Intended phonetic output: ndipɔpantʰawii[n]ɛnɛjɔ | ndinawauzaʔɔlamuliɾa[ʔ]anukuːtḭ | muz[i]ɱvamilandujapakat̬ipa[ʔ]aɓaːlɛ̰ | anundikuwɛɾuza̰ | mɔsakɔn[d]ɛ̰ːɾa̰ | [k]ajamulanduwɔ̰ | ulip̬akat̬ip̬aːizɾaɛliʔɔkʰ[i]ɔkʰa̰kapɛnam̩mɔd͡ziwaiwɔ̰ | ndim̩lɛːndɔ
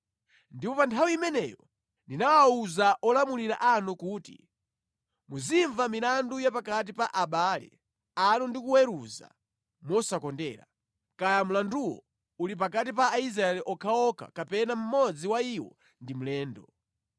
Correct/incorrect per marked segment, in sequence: incorrect, correct, correct, correct, correct, correct, incorrect

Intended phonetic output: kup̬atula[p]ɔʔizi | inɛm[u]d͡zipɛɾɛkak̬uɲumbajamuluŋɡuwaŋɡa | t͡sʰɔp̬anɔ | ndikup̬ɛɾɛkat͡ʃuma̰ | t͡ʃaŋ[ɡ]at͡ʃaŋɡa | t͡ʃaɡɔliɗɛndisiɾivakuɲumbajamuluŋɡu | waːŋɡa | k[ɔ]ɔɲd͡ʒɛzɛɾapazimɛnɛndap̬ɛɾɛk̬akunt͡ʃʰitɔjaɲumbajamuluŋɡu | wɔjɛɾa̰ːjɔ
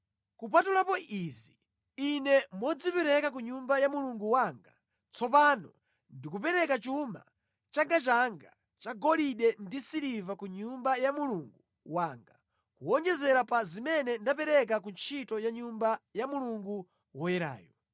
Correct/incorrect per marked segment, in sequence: correct, incorrect, correct, incorrect

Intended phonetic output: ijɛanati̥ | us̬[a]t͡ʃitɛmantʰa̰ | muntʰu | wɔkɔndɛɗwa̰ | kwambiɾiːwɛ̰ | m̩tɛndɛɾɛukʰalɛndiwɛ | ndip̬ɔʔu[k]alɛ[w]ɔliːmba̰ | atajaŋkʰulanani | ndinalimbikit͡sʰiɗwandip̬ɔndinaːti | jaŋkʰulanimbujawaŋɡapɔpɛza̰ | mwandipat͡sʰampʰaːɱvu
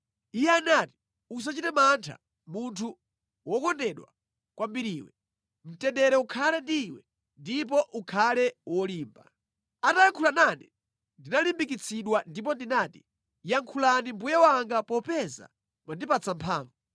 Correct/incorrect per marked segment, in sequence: correct, incorrect, correct

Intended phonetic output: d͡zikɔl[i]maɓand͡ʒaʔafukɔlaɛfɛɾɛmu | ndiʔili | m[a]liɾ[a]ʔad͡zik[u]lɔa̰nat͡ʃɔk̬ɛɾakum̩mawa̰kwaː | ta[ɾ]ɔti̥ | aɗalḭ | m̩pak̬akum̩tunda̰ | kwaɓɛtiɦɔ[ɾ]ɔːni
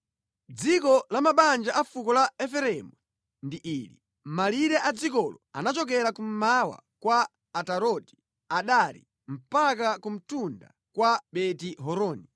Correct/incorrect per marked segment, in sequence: incorrect, correct, incorrect, incorrect, correct, correct

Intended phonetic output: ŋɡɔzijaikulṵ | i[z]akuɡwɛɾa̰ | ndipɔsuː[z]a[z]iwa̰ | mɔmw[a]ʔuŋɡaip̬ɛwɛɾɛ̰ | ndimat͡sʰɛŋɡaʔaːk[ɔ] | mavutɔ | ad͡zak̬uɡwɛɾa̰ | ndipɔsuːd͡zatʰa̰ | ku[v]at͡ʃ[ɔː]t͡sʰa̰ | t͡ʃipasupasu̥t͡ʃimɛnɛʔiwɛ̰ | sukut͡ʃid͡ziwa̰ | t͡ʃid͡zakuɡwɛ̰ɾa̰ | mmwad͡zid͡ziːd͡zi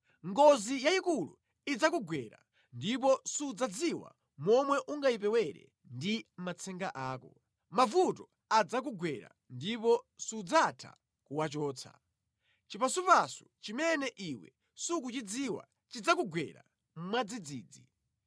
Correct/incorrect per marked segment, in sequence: incorrect, incorrect, incorrect, incorrect, correct, incorrect, correct

